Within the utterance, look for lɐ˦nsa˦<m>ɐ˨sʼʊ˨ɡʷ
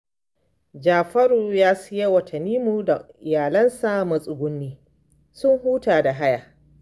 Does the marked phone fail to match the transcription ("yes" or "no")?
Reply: no